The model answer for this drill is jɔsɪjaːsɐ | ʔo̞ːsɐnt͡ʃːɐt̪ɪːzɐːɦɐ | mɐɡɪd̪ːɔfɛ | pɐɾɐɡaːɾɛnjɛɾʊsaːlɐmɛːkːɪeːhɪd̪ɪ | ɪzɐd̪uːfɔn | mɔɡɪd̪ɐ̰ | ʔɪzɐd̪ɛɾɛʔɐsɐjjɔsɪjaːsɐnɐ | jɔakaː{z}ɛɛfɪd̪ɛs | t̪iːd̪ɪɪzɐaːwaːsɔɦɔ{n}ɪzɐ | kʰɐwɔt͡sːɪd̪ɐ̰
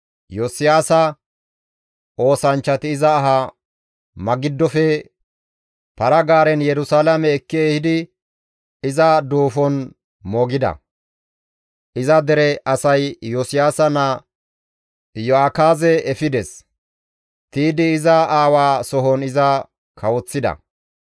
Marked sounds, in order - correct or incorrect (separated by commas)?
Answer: correct, correct